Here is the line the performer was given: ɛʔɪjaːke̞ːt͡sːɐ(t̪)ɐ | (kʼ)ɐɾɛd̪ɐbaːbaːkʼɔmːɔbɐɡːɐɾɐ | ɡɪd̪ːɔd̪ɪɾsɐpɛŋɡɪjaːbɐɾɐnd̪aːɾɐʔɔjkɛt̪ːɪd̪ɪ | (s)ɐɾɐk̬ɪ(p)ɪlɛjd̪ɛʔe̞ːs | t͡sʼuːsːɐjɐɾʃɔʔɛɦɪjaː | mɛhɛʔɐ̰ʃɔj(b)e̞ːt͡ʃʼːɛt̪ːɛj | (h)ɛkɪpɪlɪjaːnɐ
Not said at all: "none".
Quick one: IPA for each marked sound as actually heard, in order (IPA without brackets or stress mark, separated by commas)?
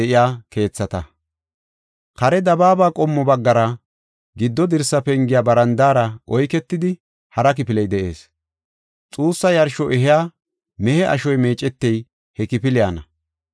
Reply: t̪, k, h, p, m, h